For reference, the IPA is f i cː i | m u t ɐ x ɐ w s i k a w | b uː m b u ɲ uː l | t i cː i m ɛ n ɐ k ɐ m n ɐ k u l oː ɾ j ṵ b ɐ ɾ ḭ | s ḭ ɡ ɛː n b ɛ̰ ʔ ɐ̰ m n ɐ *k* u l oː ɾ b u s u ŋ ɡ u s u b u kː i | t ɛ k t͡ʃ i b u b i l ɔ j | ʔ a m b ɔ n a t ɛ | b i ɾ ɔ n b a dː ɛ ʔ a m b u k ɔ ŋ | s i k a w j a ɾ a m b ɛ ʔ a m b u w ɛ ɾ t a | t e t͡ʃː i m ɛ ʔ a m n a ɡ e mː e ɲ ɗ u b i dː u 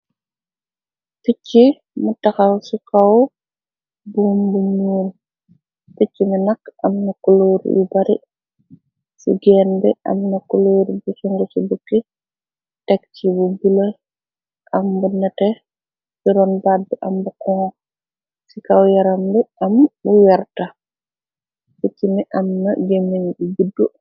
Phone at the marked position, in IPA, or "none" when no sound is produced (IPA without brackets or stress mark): k